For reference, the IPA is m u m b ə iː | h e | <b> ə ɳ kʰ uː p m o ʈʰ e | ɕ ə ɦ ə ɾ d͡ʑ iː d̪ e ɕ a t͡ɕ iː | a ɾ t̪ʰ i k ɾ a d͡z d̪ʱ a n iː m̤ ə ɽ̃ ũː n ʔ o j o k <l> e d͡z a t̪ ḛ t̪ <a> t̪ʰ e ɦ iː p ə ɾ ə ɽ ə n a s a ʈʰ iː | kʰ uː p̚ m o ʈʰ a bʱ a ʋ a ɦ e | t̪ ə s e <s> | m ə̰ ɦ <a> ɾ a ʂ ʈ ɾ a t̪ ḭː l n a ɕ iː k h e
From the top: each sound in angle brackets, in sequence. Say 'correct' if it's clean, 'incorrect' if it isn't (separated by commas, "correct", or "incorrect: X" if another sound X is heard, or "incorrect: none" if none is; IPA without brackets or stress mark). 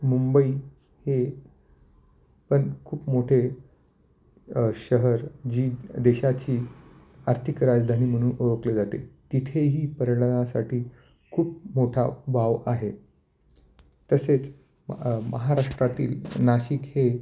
incorrect: p, correct, incorrect: i, incorrect: t͡s, correct